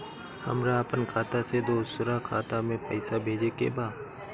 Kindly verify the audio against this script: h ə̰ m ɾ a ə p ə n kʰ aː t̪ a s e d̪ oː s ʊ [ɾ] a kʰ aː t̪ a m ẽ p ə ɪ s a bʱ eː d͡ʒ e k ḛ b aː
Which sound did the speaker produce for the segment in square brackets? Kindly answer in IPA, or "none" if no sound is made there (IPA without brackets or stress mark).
ɾ